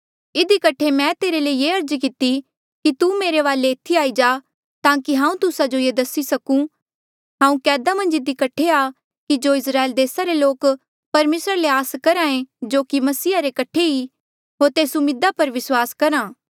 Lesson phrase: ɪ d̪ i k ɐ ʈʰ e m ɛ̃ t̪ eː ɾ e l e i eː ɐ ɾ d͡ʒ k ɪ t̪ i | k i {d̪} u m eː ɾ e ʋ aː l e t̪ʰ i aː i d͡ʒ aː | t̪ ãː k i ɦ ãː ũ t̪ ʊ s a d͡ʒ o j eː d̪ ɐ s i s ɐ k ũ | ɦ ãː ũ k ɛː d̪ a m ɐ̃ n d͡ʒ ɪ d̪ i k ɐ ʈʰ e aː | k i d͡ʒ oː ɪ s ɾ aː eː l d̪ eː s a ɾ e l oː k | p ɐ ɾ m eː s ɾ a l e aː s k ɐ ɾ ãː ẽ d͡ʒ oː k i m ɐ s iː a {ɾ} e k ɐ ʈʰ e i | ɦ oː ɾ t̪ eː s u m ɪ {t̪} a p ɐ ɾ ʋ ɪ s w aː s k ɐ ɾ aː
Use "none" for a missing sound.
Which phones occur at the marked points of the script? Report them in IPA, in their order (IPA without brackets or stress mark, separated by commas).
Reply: t̪, ɾ, d̪